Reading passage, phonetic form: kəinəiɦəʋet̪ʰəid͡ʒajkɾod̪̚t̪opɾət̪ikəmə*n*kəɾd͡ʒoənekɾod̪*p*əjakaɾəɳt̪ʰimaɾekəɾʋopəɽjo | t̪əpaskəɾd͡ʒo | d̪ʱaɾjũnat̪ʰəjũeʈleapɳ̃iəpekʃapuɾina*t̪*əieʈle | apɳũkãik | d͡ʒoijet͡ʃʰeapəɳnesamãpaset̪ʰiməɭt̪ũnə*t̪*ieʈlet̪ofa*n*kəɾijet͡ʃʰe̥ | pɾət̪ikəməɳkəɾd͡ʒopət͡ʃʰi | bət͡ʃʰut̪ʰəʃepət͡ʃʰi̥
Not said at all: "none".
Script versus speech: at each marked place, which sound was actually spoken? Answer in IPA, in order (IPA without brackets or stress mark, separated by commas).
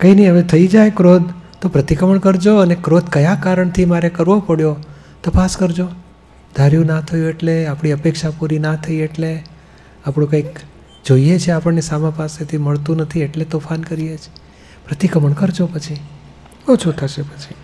ɳ, k, t̪ʰ, t̪ʰ, n